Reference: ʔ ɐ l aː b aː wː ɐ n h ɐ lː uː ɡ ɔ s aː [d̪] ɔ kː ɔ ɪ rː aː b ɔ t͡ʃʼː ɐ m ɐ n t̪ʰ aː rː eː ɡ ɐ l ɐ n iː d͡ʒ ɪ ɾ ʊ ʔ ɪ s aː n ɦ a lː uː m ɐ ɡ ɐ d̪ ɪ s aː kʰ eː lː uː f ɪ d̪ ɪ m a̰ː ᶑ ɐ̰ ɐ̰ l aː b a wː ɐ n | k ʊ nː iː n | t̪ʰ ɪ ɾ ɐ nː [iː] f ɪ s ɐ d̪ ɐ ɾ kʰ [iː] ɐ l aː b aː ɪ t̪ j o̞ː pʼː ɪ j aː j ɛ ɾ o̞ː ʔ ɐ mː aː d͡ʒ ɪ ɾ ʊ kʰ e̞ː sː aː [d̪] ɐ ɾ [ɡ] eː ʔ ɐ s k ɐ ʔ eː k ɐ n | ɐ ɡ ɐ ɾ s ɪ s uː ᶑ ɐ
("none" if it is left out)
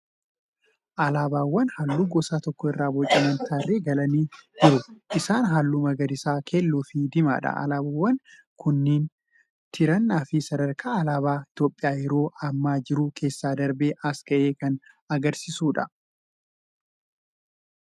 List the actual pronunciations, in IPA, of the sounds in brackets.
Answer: t̪, aː, aː, d̪, b

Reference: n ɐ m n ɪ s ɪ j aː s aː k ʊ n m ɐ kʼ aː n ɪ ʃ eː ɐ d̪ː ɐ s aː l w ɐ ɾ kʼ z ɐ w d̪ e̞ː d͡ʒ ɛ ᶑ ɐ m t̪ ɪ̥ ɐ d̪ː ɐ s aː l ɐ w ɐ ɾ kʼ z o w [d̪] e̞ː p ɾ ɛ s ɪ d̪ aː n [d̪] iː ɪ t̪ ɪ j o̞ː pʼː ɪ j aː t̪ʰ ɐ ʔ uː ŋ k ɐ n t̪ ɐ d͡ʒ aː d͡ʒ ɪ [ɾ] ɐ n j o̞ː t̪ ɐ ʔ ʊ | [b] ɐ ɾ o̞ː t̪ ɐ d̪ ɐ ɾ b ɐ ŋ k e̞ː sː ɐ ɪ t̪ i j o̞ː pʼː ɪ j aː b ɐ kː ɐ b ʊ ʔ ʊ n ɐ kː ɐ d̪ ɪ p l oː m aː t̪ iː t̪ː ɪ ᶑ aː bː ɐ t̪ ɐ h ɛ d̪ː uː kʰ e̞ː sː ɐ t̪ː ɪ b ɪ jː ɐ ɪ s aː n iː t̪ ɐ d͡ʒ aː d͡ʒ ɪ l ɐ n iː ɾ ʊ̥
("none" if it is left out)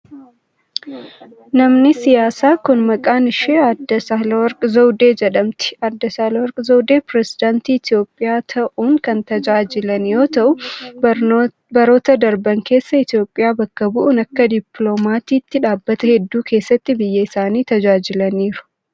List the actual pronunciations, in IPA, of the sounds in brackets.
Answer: d̪, t̪, l, b

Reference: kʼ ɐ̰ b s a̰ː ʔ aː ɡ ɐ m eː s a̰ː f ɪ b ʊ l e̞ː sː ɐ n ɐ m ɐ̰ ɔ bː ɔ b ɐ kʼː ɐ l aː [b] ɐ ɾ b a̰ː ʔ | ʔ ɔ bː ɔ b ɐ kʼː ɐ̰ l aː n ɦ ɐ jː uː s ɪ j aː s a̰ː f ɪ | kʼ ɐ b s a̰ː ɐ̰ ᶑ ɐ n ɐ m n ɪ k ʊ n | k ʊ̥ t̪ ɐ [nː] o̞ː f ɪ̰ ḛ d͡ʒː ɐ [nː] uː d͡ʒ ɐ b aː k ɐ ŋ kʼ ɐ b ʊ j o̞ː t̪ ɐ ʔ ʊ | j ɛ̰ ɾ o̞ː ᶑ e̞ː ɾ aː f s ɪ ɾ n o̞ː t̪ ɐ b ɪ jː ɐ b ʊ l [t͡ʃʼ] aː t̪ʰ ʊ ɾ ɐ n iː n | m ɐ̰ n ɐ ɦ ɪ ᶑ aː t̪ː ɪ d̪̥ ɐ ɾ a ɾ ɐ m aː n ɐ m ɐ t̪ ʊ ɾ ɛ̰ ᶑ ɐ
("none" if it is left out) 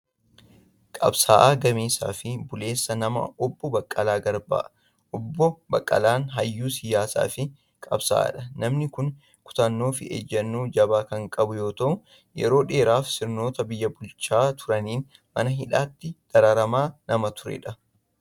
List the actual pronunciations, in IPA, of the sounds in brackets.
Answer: ɡ, nː, nː, t͡ʃ

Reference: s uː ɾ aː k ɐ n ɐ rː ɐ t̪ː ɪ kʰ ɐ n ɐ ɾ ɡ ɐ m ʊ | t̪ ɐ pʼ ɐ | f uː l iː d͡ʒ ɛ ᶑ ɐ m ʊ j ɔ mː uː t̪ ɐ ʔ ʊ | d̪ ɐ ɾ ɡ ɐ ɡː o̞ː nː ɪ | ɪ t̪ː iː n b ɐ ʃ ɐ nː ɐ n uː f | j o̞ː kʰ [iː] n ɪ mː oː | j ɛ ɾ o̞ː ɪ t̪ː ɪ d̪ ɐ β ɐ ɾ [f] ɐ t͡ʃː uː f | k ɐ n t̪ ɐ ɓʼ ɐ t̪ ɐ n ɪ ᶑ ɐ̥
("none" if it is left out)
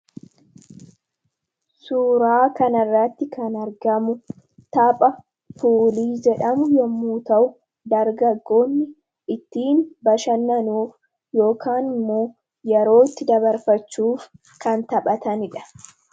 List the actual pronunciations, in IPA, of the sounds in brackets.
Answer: aː, f

